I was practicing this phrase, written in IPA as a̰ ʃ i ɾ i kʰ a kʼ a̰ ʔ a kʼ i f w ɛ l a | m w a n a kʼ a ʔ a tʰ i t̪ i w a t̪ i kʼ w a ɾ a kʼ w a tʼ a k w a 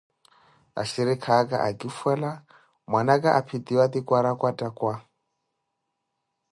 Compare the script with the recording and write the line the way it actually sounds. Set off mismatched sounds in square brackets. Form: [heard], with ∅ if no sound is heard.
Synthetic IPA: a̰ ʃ i ɾ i kʰ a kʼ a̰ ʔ a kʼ i f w ɛ l a | m w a n a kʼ a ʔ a [pʰ] i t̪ i w a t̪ i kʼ w a ɾ a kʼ w a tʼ a k w a